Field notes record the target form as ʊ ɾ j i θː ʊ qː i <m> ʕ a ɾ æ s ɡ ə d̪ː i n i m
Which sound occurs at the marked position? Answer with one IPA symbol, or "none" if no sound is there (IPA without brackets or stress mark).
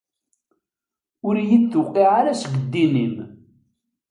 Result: none